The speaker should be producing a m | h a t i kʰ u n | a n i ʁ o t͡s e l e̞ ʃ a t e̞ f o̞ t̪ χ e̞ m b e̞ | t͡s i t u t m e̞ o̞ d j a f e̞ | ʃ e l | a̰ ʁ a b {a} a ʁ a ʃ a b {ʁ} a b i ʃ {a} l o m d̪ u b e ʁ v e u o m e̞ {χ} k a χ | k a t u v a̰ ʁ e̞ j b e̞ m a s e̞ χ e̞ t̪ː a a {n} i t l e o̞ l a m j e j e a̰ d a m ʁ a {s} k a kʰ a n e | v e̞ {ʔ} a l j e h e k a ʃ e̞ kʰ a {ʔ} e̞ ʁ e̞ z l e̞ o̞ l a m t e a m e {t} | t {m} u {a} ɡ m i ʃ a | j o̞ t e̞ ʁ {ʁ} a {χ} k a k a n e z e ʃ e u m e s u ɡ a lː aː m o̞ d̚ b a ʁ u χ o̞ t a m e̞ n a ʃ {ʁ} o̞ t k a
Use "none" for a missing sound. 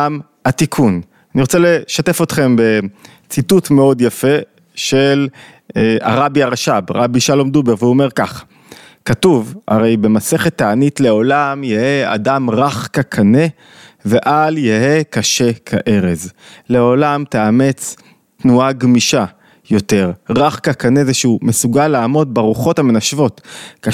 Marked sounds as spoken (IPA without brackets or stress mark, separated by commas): i, ʁ, a, ʁ, n, χ, ʔ, ʔ, t͡s, n, a, ʁ, χ, v